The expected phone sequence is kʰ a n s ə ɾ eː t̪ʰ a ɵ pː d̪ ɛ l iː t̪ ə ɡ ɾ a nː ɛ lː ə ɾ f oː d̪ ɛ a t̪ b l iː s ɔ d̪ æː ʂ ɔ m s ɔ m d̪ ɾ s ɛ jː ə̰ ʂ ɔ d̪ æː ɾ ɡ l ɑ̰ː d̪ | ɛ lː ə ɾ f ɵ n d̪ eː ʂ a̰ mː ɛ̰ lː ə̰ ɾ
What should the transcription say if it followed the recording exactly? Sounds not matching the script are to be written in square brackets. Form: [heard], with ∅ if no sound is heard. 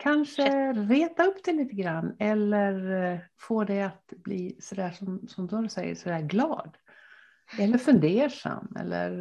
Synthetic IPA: kʰ a n [ʂ] ə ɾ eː [t̪] a ɵ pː d̪ ɛ l iː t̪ ə ɡ ɾ a nː ɛ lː ə ɾ f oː d̪ ɛ a t̪ b l iː s ɔ d̪ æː ʂ ɔ m s ɔ m d̪ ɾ s ɛ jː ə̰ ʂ ɔ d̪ æː ɾ ɡ l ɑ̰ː d̪ | ɛ lː ə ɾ f ɵ n d̪ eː ʂ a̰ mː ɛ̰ lː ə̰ ɾ